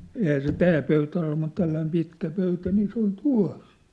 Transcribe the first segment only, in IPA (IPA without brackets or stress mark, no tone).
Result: e